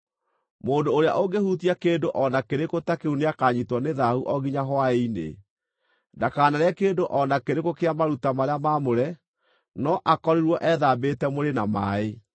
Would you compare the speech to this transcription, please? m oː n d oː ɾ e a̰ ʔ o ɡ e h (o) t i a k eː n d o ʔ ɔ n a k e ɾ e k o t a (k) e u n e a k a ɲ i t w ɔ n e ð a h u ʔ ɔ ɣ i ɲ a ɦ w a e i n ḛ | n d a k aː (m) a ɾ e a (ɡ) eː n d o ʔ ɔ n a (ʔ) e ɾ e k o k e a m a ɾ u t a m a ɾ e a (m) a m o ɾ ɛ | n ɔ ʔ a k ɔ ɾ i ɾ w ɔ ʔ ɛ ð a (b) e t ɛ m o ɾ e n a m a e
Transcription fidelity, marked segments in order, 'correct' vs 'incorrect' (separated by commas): incorrect, correct, incorrect, incorrect, incorrect, correct, correct